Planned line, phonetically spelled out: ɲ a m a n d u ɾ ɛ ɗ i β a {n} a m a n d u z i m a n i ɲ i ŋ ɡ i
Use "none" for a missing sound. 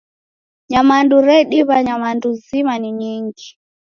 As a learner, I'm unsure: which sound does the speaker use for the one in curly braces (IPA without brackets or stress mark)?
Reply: ɲ